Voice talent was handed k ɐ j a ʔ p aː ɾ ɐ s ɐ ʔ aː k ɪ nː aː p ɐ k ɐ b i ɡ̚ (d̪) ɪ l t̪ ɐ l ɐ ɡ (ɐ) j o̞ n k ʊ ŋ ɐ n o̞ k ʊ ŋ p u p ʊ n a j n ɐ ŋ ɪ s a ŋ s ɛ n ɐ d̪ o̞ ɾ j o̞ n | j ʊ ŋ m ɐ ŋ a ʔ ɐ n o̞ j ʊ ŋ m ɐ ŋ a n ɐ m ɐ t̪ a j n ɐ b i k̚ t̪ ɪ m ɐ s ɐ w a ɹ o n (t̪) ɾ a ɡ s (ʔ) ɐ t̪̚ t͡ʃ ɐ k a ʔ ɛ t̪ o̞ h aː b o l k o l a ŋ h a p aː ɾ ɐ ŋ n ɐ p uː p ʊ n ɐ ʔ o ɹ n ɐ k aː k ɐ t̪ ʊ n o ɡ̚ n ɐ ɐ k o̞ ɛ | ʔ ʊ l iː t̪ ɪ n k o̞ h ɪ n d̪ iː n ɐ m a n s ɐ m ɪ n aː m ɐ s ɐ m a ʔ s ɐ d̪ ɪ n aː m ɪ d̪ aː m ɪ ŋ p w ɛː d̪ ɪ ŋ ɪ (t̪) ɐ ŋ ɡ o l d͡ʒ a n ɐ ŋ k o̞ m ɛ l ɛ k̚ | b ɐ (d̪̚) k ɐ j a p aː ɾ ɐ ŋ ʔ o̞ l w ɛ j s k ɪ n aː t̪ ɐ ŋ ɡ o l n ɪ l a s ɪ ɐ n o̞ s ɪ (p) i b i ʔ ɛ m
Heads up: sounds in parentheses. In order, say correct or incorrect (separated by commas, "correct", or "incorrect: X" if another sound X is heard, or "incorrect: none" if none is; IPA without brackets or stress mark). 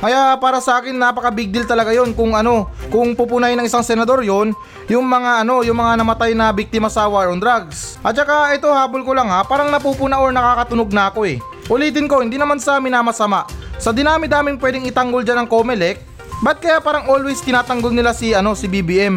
correct, incorrect: a, incorrect: d̪, correct, correct, incorrect: t̪̚, incorrect: b